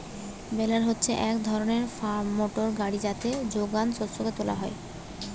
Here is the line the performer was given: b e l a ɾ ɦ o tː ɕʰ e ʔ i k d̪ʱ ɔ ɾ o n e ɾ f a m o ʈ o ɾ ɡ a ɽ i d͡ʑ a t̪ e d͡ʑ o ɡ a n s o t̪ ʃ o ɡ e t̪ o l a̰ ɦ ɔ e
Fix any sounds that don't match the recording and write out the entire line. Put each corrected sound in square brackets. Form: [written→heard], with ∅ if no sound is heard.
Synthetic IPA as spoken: b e l a ɾ ɦ o tː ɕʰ e ʔ [i→ɛ] k d̪ʱ ɔ ɾ o n e ɾ f a m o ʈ o ɾ ɡ a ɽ i d͡ʑ a t̪ e d͡ʑ o ɡ a n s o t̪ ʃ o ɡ e t̪ o l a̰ ɦ ɔ e